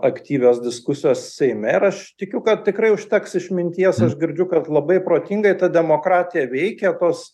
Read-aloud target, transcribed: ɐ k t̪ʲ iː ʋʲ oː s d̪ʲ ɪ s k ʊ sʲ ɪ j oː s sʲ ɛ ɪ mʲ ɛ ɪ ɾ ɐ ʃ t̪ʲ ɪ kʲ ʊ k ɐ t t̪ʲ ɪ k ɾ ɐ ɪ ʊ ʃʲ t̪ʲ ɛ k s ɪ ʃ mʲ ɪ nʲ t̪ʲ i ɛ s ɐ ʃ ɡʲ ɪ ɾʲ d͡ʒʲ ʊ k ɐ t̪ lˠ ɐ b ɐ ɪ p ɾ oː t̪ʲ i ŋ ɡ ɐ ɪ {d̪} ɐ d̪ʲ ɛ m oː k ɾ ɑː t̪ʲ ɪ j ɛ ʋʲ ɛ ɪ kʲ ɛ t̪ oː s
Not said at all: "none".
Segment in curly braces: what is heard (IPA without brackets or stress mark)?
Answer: t̪